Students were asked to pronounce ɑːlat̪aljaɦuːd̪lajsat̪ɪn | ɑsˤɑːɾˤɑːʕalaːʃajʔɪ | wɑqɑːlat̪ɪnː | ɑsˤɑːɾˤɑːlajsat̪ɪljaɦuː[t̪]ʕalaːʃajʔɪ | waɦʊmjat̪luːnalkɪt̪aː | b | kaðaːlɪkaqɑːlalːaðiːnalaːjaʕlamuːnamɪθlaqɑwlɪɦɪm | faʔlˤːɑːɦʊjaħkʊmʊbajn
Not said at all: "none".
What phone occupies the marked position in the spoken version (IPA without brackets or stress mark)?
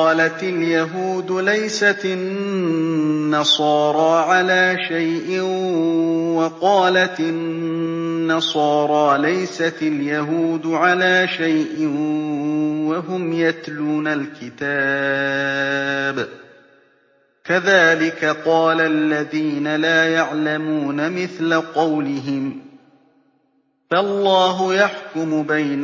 d̪